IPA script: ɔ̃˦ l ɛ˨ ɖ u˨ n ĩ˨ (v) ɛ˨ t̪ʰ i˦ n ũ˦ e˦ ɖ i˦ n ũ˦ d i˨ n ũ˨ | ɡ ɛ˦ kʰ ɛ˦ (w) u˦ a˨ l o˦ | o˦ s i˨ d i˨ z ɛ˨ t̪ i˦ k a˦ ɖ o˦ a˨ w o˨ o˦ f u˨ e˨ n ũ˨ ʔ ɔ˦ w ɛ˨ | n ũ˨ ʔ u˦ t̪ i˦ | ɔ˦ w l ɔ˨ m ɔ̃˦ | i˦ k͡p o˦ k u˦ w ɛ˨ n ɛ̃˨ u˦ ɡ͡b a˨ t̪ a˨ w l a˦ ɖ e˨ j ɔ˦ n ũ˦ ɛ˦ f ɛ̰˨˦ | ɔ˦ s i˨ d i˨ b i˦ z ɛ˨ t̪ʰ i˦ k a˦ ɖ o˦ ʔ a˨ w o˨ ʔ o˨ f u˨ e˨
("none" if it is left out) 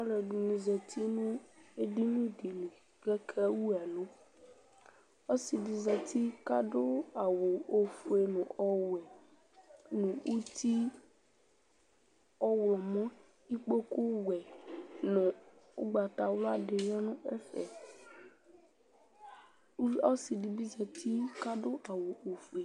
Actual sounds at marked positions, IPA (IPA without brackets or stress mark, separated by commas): z, w